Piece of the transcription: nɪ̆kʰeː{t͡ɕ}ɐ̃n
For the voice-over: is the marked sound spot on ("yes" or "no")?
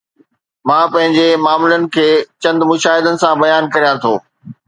yes